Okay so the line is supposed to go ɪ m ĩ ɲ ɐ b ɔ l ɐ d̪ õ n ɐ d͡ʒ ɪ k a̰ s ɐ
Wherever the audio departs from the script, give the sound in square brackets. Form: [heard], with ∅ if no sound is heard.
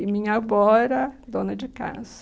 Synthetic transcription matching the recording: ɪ m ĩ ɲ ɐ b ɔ [ɾ] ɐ d̪ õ n ɐ d͡ʒ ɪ k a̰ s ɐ